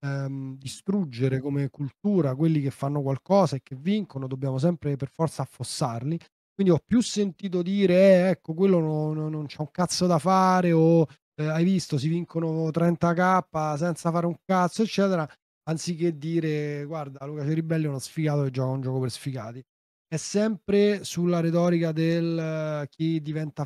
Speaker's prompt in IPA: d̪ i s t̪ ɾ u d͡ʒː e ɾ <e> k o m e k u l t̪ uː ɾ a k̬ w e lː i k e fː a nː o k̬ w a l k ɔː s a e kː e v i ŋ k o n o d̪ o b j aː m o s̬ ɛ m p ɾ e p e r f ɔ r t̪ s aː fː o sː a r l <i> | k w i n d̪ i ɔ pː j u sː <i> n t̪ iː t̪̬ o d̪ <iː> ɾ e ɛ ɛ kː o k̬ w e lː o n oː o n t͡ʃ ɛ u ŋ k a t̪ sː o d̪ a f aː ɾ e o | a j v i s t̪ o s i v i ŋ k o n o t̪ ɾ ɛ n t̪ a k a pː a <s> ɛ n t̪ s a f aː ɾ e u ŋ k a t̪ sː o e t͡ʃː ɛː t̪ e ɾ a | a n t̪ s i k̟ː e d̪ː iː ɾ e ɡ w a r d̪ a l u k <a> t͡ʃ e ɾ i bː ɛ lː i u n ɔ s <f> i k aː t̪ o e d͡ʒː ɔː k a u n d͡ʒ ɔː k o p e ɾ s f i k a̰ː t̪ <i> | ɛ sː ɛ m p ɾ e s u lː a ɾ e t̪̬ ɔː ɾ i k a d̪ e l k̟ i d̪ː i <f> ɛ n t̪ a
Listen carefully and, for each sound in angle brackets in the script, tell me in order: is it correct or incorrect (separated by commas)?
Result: correct, correct, incorrect, correct, correct, correct, correct, correct, incorrect